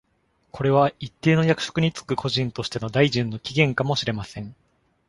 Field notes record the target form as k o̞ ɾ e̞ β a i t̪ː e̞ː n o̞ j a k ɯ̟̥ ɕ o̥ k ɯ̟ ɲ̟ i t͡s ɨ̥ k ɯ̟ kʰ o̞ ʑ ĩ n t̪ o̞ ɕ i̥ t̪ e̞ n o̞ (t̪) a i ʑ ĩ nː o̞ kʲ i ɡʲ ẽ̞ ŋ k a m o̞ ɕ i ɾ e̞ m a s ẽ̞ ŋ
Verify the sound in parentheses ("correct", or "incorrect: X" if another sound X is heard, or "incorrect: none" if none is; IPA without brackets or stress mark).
incorrect: d̪